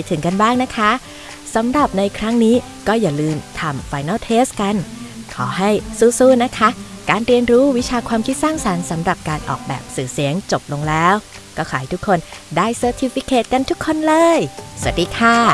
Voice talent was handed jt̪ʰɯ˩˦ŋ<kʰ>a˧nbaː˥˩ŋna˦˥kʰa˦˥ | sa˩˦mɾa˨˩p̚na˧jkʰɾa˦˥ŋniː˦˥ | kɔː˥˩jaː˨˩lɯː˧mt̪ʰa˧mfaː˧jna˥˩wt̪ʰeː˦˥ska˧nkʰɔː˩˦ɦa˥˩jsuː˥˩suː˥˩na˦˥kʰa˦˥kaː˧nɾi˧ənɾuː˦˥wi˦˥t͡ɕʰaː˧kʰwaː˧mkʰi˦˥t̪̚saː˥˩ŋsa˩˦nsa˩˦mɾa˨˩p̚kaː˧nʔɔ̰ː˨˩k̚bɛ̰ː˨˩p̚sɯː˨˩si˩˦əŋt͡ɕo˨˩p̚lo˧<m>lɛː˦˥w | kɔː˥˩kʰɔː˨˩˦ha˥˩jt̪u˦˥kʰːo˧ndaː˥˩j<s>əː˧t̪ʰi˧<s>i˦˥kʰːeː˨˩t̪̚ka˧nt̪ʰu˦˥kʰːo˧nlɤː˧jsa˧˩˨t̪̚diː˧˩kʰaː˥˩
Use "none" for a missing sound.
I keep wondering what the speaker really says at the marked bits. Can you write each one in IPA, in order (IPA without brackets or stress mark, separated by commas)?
k, ŋ, s, f